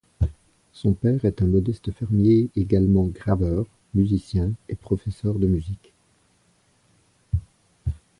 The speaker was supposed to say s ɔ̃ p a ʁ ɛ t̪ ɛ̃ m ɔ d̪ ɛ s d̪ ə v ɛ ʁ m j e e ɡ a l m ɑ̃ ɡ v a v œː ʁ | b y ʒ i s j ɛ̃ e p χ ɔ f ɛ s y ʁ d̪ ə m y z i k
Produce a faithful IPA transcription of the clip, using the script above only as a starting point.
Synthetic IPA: s ɔ̃ p ɛ ʁ ɛ t̪ ɛ̃ m ɔ d̪ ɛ s t̪ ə f ɛ ʁ m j e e ɡ a l m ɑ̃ ɡ ʁ a v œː ʁ | m y z i s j ɛ̃ e p χ ɔ f ɛ s œ ʁ d̪ ə m y z i k